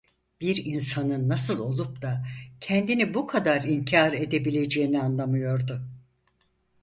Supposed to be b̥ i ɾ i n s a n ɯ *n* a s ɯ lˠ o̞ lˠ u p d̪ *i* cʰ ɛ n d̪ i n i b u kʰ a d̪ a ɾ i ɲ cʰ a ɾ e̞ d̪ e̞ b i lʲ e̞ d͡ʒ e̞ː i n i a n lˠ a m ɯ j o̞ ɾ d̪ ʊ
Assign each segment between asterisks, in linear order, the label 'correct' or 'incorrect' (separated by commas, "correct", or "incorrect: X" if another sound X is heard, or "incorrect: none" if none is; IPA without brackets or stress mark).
incorrect: nː, incorrect: a